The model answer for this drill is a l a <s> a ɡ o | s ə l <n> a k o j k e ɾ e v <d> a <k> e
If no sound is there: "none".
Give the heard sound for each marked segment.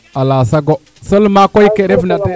s, m, n, t

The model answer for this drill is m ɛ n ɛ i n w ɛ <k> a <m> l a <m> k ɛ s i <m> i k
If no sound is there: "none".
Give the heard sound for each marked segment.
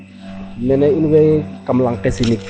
k, m, ŋ, n

